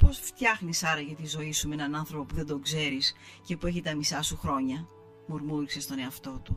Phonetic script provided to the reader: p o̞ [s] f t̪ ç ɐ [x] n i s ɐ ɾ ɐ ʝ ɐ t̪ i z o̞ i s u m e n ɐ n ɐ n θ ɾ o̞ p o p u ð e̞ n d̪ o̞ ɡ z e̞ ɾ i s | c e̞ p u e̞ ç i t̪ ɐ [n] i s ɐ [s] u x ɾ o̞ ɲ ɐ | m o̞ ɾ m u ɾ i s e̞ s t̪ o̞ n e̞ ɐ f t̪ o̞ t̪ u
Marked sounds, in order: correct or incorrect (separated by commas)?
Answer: correct, correct, incorrect, correct